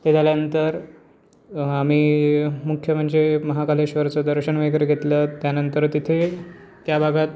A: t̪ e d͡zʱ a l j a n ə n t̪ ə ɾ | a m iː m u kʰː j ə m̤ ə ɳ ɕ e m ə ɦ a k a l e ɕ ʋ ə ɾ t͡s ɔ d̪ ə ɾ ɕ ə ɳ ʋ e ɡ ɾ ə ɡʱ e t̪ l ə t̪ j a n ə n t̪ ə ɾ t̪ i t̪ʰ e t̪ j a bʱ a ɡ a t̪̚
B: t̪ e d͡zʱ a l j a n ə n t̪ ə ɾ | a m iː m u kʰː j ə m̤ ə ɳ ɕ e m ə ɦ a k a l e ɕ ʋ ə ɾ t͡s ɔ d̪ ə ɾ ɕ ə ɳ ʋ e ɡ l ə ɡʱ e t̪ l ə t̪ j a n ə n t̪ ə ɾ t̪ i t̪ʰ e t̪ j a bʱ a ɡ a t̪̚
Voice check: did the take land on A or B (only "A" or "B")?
A